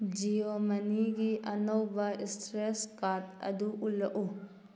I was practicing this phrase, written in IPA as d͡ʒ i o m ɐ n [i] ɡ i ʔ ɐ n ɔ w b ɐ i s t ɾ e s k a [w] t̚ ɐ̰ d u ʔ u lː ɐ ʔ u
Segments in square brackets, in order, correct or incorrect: correct, incorrect: none

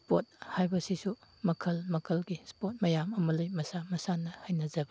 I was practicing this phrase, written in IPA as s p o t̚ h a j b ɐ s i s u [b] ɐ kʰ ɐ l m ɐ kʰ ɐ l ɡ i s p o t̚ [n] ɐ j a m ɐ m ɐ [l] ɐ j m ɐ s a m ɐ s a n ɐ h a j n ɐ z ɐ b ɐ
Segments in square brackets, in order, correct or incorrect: incorrect: m, incorrect: m, correct

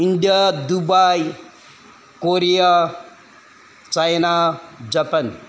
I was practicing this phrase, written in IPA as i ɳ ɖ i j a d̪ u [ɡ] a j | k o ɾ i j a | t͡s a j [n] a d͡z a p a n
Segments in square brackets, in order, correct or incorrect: incorrect: b, correct

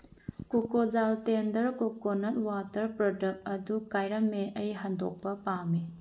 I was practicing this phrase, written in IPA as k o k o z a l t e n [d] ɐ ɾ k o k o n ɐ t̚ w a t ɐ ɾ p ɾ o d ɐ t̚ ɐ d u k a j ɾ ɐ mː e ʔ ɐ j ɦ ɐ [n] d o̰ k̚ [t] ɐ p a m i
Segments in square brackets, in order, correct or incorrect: correct, correct, incorrect: p

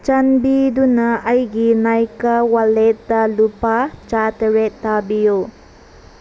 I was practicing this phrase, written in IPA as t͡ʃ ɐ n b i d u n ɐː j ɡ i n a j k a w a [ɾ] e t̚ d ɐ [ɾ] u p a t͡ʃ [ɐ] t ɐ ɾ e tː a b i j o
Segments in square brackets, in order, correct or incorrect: incorrect: l, incorrect: l, incorrect: a

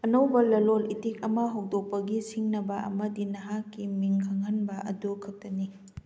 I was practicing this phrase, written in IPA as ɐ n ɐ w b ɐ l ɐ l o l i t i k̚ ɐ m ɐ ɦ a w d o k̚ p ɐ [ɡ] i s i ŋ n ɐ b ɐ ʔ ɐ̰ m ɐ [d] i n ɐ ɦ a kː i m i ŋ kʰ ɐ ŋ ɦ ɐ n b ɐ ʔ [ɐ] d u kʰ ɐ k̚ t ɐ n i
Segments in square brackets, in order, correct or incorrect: correct, correct, correct

